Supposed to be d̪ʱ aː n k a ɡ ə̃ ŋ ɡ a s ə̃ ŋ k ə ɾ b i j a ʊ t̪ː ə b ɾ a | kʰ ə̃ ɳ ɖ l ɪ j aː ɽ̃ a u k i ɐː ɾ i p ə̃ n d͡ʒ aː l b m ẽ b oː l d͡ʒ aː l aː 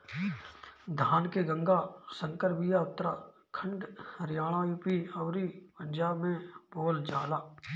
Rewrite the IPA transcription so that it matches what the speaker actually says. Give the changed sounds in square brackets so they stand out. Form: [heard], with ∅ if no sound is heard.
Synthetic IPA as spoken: d̪ʱ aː n k [e] ɡ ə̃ ŋ ɡ a s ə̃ ŋ k ə ɾ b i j a ʊ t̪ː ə [∅] ɾ a | kʰ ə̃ ɳ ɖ [ɾ] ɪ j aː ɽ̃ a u [p] i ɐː ɾ i p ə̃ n d͡ʒ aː [∅] b m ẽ b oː l d͡ʒ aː l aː